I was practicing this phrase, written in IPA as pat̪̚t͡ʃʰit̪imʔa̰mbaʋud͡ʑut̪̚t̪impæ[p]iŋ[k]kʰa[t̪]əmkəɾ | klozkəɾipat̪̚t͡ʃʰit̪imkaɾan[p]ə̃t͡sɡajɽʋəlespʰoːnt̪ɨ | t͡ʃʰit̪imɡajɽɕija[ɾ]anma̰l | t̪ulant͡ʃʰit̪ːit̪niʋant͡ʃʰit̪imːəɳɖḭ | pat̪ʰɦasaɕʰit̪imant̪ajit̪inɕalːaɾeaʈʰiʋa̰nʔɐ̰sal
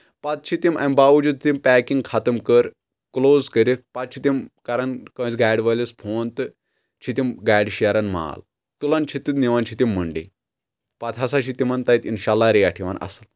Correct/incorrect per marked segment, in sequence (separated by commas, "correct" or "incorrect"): incorrect, incorrect, correct, incorrect, correct